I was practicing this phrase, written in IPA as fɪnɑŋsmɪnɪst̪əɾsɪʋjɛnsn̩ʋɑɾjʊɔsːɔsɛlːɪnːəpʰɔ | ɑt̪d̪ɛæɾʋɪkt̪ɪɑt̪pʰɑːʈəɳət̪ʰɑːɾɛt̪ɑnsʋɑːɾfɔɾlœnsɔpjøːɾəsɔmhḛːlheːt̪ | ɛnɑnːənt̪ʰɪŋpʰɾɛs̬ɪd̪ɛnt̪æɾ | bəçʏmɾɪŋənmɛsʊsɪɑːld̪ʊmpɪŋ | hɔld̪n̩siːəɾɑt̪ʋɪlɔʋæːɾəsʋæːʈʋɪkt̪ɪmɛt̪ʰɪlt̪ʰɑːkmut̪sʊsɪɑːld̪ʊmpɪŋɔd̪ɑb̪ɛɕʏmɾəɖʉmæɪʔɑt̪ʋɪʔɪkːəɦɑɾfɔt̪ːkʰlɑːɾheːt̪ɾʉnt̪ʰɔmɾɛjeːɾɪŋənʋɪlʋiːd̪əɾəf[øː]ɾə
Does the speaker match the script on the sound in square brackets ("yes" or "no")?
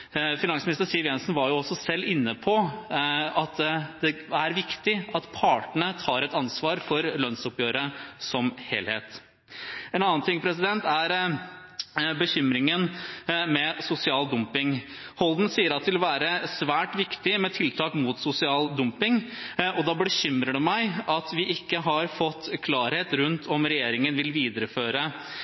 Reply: yes